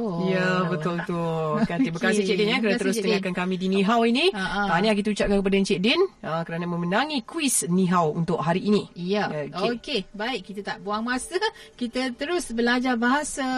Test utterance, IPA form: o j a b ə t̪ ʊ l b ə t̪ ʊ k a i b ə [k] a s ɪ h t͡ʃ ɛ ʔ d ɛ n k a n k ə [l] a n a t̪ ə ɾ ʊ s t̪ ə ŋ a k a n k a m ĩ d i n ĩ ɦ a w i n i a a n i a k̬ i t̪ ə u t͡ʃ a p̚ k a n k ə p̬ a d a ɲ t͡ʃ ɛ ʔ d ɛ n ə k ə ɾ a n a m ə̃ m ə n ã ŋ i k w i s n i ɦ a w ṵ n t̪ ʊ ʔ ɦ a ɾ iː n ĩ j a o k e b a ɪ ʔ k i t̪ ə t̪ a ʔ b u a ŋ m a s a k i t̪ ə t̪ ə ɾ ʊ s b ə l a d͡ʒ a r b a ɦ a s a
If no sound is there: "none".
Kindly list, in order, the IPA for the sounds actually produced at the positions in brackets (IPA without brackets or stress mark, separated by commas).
k, ɾ